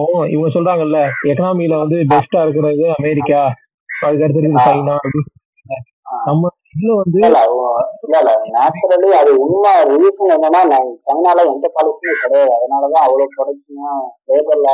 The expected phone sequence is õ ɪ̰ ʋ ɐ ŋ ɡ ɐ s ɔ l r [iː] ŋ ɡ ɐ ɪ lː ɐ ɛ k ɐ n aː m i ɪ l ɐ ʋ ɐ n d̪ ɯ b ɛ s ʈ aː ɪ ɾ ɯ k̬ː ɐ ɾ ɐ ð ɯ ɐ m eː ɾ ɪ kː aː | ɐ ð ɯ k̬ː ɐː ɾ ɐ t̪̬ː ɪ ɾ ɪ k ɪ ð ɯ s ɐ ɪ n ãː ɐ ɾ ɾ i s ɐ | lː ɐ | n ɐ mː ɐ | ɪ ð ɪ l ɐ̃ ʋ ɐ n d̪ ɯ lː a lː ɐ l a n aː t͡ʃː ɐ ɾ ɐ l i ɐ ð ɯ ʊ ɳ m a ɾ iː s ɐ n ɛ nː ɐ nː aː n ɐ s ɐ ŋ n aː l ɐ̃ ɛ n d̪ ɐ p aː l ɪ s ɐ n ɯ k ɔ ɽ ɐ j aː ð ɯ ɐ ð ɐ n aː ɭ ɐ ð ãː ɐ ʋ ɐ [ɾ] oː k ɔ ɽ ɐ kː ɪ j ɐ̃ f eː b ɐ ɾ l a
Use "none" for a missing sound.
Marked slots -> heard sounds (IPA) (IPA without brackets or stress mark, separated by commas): aː, ɭ